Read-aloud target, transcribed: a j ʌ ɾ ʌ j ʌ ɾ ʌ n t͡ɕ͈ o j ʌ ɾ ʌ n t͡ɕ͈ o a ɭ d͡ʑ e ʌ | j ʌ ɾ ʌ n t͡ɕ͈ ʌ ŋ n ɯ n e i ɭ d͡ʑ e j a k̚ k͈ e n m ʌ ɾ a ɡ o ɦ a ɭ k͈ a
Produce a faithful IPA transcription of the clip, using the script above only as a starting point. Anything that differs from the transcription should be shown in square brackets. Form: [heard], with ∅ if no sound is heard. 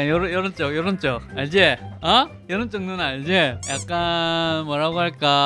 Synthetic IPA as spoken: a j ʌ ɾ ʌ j ʌ ɾ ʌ n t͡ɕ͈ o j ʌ ɾ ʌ n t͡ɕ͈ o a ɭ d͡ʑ e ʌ | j ʌ ɾ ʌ n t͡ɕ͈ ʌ ŋ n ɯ n [a] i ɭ d͡ʑ e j a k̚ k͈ [a] n m ʌ ɾ a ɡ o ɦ a ɭ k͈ a